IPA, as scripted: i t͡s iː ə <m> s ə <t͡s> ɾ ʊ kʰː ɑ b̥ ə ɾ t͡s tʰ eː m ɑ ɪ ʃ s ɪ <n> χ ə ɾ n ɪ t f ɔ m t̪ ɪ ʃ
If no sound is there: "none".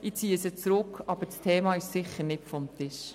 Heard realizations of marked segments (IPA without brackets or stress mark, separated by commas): none, t͡s, none